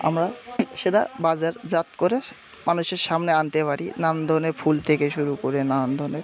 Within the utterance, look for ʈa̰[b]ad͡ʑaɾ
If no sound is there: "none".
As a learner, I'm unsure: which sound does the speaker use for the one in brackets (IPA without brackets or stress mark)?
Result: b